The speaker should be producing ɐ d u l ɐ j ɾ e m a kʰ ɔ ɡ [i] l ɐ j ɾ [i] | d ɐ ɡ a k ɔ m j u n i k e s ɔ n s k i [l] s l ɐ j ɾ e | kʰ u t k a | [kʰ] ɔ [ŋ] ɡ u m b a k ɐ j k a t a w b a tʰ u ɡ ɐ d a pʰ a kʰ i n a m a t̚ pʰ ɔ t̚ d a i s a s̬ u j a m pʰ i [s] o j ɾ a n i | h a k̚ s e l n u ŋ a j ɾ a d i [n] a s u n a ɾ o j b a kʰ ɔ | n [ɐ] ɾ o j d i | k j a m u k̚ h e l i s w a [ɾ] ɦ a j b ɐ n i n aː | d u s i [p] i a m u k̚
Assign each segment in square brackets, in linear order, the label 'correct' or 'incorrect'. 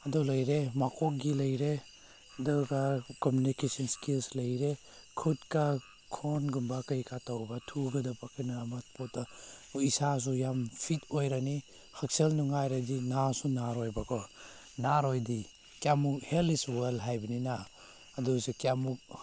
correct, incorrect: e, correct, correct, incorrect: n, incorrect: t, correct, incorrect: a, incorrect: l, incorrect: k

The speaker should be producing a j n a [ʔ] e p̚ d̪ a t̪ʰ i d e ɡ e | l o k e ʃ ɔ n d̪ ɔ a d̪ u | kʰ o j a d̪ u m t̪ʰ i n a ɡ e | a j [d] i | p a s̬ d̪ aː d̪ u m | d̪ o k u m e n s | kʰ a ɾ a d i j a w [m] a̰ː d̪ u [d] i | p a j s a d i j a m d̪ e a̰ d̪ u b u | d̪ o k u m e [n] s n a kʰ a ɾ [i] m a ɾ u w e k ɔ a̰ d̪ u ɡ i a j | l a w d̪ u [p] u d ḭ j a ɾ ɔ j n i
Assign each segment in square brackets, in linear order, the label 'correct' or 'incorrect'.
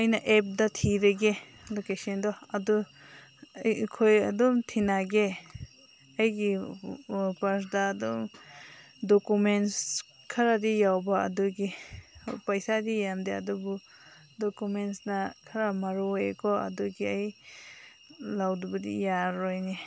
correct, incorrect: ɡ, incorrect: b, incorrect: ɡ, correct, incorrect: a, incorrect: b

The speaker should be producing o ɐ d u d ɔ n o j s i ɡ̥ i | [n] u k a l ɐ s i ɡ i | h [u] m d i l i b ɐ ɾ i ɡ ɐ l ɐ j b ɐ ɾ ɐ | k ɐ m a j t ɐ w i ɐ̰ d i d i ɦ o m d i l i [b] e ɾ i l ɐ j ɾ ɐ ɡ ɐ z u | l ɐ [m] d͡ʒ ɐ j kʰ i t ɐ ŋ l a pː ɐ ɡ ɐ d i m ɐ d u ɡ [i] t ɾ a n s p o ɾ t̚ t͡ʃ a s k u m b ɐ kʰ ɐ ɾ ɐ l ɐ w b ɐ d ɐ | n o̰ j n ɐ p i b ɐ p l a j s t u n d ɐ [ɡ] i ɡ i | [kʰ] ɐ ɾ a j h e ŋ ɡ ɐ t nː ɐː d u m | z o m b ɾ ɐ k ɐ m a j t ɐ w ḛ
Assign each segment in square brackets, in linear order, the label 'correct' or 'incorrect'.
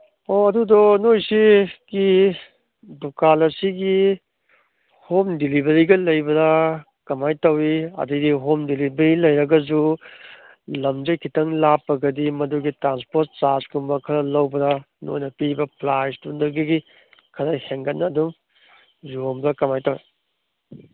incorrect: d, incorrect: o, correct, correct, correct, correct, correct

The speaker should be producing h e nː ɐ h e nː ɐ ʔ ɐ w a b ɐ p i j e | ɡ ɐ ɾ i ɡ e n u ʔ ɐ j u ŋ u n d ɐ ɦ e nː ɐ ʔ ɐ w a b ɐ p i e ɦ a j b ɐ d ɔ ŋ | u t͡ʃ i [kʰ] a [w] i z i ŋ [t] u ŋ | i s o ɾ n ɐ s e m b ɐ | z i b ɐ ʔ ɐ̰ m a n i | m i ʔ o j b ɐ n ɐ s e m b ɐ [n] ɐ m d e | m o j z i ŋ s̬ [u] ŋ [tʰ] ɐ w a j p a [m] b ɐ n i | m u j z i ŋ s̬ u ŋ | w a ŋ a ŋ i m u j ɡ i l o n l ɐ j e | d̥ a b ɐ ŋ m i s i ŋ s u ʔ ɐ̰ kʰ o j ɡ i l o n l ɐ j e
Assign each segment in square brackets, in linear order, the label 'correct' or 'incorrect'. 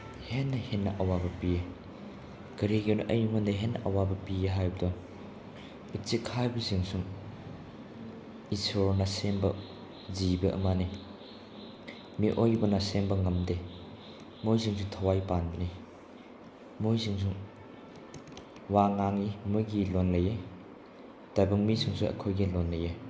correct, incorrect: b, incorrect: s, incorrect: ŋ, correct, correct, incorrect: n

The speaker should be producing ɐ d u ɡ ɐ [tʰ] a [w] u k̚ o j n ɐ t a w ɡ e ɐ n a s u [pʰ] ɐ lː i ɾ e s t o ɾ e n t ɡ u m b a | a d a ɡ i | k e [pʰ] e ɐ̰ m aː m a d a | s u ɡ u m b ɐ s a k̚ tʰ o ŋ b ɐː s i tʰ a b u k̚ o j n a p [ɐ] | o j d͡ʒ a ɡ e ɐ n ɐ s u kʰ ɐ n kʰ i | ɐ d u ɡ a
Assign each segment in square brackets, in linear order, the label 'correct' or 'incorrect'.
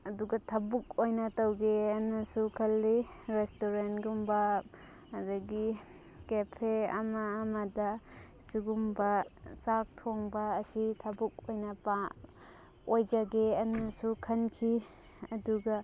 correct, incorrect: b, incorrect: kʰ, correct, incorrect: a

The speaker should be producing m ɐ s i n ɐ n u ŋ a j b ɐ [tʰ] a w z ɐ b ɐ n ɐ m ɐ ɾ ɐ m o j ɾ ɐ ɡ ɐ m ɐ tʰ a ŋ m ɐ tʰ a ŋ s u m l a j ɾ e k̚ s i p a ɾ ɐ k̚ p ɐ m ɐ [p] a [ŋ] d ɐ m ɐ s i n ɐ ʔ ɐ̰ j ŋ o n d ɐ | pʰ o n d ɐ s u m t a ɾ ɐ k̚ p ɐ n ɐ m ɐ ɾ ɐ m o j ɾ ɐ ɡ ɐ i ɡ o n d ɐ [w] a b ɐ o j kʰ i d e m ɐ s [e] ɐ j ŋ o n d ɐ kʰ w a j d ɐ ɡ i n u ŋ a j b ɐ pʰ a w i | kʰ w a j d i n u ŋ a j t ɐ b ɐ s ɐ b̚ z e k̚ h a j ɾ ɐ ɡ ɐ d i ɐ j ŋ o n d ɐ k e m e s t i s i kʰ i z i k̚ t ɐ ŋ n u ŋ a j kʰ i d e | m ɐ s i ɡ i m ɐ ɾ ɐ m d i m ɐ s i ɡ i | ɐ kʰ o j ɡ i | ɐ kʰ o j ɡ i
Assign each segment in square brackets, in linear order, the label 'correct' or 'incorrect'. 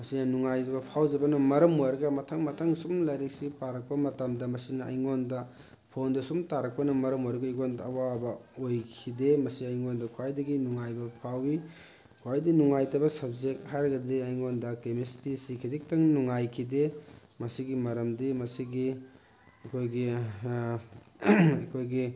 incorrect: pʰ, incorrect: t, incorrect: m, correct, incorrect: i

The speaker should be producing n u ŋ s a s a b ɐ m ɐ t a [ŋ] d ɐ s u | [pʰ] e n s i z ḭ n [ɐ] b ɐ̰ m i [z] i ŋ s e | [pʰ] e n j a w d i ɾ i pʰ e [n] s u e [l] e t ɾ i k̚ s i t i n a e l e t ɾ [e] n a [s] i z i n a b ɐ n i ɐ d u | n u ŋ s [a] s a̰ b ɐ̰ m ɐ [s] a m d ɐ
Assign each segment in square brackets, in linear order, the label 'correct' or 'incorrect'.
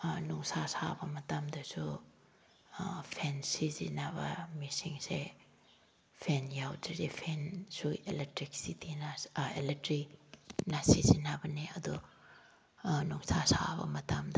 incorrect: m, correct, incorrect: a, incorrect: s, correct, correct, correct, incorrect: i, correct, correct, incorrect: t

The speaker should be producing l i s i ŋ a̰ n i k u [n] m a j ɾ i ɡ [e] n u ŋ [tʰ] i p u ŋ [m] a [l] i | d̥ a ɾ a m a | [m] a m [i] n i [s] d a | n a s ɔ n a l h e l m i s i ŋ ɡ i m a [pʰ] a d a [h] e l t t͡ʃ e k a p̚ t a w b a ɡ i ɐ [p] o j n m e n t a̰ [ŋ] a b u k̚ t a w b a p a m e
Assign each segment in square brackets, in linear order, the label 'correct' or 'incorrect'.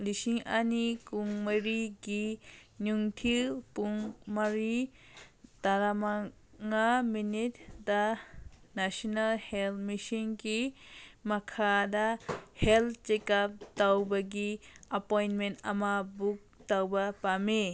incorrect: ŋ, incorrect: i, correct, correct, incorrect: ɾ, incorrect: ŋ, correct, incorrect: t, incorrect: kʰ, correct, correct, incorrect: m

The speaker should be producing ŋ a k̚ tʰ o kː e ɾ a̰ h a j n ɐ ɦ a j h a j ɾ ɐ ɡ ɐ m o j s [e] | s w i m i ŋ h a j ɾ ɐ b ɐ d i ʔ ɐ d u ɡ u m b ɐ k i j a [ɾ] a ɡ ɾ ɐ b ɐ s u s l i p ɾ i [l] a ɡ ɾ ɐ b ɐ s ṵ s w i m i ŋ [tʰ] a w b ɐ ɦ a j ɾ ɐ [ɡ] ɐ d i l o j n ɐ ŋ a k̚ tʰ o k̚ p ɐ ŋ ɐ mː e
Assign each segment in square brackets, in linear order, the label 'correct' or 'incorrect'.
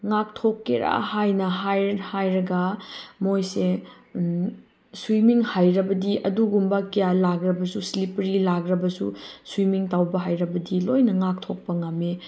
correct, incorrect: l, correct, incorrect: t, incorrect: b

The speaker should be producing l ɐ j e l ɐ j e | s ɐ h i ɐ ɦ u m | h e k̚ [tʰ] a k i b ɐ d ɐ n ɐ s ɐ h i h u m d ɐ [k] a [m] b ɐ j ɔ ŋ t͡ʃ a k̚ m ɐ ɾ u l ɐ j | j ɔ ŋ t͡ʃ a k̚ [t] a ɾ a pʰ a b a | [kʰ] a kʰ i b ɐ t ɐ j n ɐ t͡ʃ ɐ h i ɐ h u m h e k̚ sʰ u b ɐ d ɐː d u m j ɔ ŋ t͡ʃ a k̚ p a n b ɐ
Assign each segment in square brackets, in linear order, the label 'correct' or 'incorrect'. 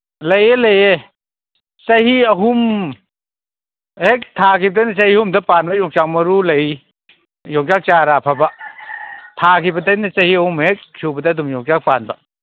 correct, incorrect: p, incorrect: n, incorrect: t͡ʃ, incorrect: tʰ

